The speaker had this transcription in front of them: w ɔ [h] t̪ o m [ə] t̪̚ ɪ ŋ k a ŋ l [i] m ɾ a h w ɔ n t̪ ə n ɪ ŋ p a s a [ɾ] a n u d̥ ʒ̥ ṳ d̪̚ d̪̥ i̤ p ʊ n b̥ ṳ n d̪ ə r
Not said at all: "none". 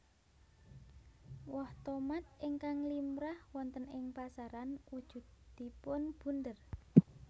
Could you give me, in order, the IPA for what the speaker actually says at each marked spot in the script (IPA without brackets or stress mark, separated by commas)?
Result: h, a, i, ɾ